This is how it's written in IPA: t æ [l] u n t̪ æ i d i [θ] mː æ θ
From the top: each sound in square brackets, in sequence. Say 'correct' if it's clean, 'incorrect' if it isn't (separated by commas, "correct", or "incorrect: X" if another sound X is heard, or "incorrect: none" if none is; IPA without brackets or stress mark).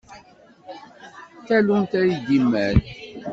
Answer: correct, incorrect: none